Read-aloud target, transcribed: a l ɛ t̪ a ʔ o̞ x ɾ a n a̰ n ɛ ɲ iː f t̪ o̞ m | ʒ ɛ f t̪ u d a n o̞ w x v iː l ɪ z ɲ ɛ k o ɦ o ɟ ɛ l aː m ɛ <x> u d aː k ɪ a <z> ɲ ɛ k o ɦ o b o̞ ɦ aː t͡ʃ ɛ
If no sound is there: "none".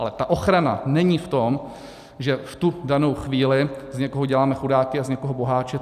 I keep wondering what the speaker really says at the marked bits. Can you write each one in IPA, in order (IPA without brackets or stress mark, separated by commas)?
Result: x, z